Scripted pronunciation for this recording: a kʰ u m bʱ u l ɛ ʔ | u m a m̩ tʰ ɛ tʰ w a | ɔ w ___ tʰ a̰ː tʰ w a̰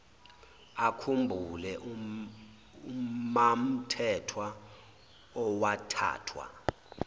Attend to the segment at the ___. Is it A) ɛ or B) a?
B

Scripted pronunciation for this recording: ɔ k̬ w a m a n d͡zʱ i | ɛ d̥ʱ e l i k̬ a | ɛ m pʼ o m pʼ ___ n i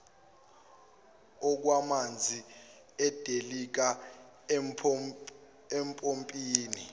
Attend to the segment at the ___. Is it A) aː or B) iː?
B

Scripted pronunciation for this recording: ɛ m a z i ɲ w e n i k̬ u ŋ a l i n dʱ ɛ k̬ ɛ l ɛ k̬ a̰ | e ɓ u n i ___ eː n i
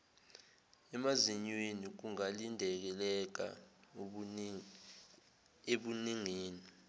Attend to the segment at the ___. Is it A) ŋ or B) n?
A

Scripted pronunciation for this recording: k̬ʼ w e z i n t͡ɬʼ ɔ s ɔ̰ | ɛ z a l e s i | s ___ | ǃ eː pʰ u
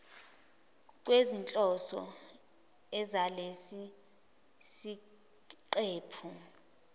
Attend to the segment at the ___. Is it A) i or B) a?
A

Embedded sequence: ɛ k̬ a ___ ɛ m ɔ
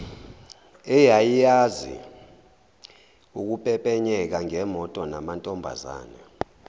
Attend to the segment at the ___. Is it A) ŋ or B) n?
A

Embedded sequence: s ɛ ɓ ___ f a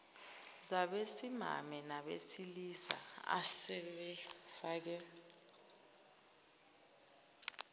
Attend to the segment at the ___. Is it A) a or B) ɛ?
B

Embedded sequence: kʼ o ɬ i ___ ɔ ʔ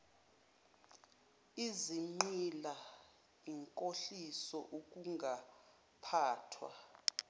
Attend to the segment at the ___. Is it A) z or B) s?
B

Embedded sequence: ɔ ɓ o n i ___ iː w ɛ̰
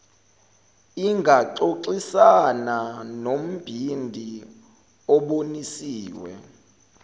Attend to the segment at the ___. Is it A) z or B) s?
B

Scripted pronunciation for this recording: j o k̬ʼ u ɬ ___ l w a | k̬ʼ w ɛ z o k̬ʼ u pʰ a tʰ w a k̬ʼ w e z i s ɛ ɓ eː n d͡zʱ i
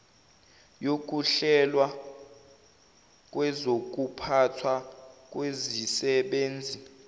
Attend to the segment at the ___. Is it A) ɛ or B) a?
A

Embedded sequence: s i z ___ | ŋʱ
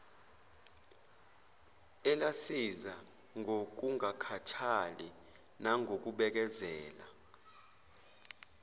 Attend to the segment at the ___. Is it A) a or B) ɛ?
A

